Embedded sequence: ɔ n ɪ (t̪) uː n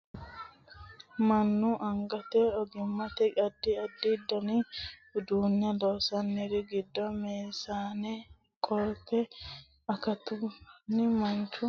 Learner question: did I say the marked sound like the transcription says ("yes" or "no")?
no